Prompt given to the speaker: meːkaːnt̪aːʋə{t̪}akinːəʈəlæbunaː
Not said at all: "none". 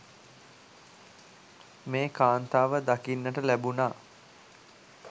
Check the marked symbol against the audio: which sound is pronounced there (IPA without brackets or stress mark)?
d̪